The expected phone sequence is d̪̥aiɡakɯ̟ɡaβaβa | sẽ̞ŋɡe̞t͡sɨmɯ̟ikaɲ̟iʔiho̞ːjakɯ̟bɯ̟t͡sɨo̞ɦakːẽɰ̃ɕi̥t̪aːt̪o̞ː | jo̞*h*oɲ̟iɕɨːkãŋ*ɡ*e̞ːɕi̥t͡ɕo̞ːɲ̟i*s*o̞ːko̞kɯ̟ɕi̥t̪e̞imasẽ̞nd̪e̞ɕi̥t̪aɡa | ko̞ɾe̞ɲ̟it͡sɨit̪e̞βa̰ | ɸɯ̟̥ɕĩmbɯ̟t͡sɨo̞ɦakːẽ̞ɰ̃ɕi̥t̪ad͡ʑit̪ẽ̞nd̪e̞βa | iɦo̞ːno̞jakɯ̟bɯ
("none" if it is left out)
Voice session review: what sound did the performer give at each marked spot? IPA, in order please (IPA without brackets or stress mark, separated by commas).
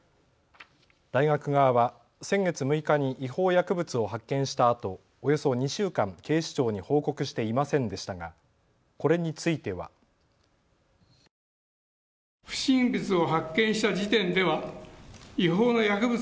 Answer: s, k, h